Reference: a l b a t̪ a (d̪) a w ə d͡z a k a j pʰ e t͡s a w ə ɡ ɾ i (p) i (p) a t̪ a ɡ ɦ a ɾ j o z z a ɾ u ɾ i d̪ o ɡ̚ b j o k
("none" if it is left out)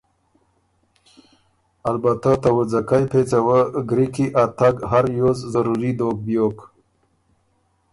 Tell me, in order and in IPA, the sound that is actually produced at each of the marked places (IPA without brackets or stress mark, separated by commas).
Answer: t̪, k, ʔ